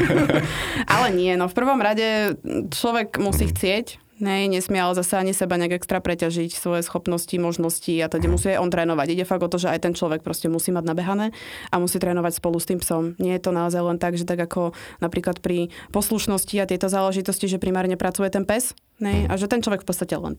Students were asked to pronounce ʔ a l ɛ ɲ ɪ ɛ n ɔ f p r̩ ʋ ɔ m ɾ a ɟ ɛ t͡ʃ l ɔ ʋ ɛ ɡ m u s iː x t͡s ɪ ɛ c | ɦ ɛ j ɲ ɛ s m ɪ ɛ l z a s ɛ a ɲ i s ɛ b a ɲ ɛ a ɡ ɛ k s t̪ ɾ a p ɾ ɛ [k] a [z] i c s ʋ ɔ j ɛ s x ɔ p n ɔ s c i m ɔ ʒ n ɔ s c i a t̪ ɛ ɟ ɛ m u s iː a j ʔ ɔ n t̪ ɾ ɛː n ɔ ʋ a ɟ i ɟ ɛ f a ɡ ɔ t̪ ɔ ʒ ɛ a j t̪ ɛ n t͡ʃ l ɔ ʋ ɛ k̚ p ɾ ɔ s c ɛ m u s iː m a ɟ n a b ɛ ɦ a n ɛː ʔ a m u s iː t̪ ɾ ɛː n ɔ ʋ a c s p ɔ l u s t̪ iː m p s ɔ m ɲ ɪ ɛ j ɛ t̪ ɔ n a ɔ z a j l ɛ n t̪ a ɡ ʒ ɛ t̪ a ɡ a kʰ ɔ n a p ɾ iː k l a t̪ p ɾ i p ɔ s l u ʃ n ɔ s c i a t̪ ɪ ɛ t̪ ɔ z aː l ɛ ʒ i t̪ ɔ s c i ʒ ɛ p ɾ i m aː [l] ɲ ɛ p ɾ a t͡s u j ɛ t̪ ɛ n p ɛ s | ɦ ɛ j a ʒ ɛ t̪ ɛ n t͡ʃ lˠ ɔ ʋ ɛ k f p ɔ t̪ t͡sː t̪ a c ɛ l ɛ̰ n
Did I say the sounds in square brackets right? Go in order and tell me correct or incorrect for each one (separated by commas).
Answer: incorrect, incorrect, incorrect